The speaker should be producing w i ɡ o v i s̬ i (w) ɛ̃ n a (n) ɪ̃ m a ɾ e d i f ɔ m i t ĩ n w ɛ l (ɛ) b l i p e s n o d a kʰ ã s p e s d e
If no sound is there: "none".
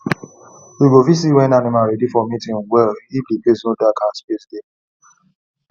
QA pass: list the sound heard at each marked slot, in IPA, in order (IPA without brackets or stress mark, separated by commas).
w, n, i